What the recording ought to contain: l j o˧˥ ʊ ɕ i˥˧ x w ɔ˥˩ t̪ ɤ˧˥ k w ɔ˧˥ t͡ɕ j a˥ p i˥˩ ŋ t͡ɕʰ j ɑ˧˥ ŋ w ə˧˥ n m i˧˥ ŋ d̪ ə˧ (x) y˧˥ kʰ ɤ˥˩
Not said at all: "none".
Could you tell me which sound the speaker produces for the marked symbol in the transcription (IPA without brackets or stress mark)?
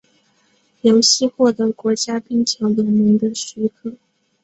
ɕ